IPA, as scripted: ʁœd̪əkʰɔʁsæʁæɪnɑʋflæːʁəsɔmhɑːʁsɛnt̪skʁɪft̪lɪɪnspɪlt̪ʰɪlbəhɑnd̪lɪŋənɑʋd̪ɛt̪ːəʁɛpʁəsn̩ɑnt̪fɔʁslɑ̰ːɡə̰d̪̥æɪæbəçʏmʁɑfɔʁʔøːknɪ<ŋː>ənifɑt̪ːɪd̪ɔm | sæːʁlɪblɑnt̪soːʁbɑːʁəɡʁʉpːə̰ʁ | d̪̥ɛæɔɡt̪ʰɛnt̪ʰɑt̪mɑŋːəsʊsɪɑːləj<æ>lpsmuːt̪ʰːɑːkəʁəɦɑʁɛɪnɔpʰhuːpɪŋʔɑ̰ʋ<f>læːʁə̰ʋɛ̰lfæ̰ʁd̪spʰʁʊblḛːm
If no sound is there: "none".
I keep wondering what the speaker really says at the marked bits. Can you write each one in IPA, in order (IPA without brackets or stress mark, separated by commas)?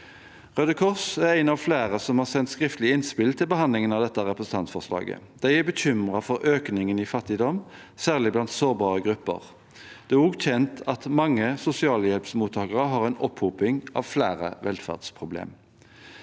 ŋ, ɛ, f